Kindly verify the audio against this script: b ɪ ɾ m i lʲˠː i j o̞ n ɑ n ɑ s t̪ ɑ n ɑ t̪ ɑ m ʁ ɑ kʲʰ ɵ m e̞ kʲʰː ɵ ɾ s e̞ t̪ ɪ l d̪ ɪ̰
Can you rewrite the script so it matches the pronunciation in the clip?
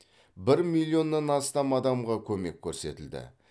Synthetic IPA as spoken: b ɪ ɾ m i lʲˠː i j o̞ nː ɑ n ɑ s t̪ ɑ m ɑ d̪ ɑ m ʁ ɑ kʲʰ ɵ m e̞ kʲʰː ɵ ɾ s e̞ t̪ ɪ l d̪ ɪ̰